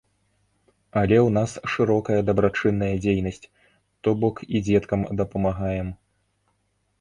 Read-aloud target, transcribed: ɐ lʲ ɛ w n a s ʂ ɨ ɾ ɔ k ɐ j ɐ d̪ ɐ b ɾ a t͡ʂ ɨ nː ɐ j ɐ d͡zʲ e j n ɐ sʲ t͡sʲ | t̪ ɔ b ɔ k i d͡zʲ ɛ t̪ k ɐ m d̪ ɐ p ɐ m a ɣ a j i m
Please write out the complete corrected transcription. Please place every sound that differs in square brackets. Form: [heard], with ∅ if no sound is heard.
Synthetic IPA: ɐ lʲ ɛ w n a s ʂ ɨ ɾ ɔ k ɐ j ɐ d̪ ɐ b ɾ a t͡ʂ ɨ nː ɐ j ɐ d͡zʲ e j n ɐ sʲ t͡sʲ | t̪ ɔ b ɔ k i d͡zʲ ɛ t̪ k ɐ m d̪ ɐ p ɐ m a ɣ a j [ɛ] m

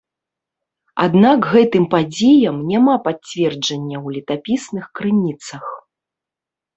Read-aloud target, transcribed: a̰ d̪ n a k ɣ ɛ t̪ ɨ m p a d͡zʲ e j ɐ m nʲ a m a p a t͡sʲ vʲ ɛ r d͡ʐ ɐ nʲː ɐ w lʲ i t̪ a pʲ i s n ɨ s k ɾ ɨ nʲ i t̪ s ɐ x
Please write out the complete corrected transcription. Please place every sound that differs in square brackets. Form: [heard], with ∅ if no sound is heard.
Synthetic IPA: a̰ d̪ n a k ɣ ɛ t̪ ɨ m p a d͡zʲ e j ɐ m nʲ a m a p a t͡sʲ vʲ ɛ r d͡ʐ ɐ nʲː ɐ w lʲ i t̪ a pʲ i s n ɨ [x] k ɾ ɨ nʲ i t̪ s ɐ x

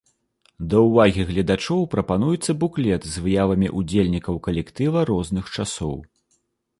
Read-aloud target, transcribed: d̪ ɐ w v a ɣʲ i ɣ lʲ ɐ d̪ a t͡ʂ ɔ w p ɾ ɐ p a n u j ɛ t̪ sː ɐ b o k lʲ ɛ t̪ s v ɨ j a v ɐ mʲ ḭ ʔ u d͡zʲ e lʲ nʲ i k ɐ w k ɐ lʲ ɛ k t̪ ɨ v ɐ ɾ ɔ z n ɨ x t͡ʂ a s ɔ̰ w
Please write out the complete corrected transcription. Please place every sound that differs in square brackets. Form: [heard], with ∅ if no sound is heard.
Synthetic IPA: d̪ ɐ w v a ɣʲ i ɣ lʲ ɐ d̪ a t͡ʂ ɔ w p ɾ ɐ p a n u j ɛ t̪ sː ɐ b [u] k lʲ ɛ t̪ [z] v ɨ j a v ɐ mʲ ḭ ʔ u d͡zʲ e lʲ nʲ i k ɐ w k ɐ lʲ ɛ k t̪ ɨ v ɐ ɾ ɔ z n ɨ x t͡ʂ a s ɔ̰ w

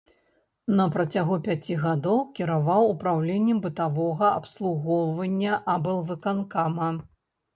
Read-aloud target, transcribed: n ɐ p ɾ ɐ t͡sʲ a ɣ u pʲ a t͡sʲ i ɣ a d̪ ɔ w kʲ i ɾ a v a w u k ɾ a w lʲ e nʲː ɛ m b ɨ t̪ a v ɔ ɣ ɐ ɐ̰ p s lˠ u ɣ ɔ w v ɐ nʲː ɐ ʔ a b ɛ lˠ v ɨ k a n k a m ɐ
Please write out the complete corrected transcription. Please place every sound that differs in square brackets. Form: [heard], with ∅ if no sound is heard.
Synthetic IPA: n ɐ p ɾ ɐ t͡sʲ a ɣ u pʲ a t͡sʲ i ɣ a d̪ ɔ w kʲ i ɾ a v a w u [p] ɾ a w lʲ e nʲː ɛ m b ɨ t̪ a v ɔ ɣ ɐ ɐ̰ p s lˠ u ɣ ɔ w v ɐ nʲː ɐ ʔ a b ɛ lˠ v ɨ k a n k a m ɐ

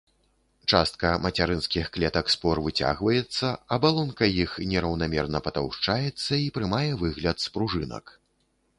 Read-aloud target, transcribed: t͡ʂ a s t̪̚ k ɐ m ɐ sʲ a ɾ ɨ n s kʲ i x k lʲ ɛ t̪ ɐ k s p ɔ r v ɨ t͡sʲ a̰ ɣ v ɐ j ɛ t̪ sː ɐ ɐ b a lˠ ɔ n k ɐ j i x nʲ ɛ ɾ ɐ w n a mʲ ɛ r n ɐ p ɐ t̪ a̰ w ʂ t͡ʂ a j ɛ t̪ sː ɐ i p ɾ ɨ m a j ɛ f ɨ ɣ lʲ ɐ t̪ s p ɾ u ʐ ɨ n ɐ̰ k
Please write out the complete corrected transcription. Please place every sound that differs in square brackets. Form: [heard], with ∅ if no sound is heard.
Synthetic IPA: t͡ʂ a s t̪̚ k ɐ m ɐ [t͡sʲ] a ɾ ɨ n s kʲ i x k lʲ ɛ t̪ ɐ k s p ɔ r v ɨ t͡sʲ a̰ ɣ v ɐ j ɛ t̪ sː ɐ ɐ b a lˠ ɔ n k ɐ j i x nʲ ɛ ɾ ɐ w n a mʲ ɛ r n ɐ p ɐ t̪ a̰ w ʂ t͡ʂ a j ɛ t̪ sː ɐ i p ɾ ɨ m a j ɛ [v] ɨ ɣ lʲ ɐ t̪ s p ɾ u ʐ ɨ n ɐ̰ k

